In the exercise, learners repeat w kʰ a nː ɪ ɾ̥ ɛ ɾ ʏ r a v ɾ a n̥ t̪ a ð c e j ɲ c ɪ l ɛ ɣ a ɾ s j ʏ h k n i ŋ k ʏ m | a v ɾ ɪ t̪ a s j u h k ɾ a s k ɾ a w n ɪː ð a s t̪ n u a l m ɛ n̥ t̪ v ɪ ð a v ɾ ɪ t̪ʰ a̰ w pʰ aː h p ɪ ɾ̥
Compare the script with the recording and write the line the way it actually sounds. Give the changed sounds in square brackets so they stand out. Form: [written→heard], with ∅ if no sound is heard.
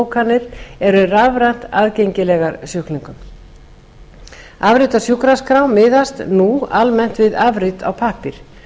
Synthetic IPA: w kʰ a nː ɪ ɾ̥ ɛ ɾ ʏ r a v ɾ a n̥ t̪ a ð c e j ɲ c ɪ l ɛ ɣ a ɾ s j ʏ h k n i ŋ k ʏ m | a v ɾ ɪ t̪ a s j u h k ɾ a s k ɾ a w [n→m] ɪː ð a s t̪ n u a l m ɛ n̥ t̪ v ɪ ð a v ɾ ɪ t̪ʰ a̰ w pʰ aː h p ɪ ɾ̥